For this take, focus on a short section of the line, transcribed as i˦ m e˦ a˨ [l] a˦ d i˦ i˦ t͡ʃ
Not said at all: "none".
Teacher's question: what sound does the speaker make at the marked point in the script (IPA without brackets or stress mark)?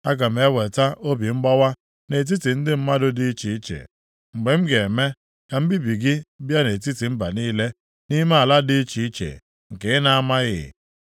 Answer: l